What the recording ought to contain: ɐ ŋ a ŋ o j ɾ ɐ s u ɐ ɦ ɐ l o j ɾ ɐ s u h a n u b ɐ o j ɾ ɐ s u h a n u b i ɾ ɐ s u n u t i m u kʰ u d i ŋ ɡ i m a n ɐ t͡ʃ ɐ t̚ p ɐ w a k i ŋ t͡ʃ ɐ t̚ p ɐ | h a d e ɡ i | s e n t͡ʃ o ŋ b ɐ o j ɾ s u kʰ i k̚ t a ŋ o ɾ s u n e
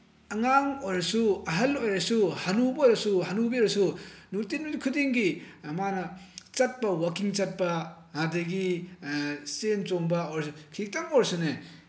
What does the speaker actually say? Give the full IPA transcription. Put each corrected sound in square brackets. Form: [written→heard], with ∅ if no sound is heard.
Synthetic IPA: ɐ ŋ a ŋ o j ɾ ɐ s u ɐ ɦ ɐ l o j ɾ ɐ s u h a n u b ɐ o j ɾ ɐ s u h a n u b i ɾ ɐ s u n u t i [m→n] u kʰ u d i ŋ ɡ i m a n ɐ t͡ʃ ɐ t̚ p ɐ w a k i ŋ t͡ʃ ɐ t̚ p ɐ | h a d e ɡ i | s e n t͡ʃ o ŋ b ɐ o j ɾ s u kʰ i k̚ t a ŋ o ɾ s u n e